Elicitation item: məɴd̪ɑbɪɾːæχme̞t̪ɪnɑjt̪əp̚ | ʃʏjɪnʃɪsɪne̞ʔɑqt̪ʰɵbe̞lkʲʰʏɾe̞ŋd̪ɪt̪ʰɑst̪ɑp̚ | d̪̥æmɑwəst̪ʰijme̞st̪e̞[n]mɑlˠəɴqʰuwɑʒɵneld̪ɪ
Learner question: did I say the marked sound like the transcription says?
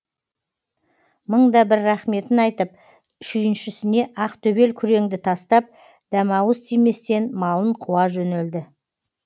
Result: yes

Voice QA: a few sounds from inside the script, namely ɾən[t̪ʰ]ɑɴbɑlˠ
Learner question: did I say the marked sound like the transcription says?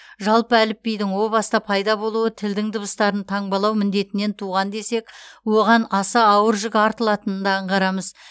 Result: yes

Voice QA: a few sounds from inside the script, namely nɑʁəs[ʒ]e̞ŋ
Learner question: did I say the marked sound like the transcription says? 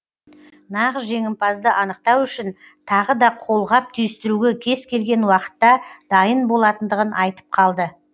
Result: yes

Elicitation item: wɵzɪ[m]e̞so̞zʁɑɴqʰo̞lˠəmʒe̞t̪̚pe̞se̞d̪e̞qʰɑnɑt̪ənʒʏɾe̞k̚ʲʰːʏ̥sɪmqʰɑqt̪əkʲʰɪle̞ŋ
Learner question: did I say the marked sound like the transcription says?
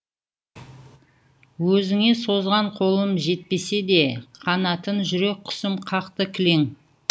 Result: no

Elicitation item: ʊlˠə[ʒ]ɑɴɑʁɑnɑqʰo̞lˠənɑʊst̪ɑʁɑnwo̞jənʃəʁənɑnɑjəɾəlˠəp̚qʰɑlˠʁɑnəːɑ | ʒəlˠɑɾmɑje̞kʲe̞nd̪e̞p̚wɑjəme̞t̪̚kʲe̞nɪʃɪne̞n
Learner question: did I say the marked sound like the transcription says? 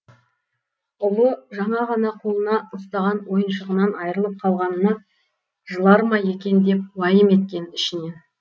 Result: yes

